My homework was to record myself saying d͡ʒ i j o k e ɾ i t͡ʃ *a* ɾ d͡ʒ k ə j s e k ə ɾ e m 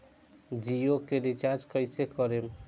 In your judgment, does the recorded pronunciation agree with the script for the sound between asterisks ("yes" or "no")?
yes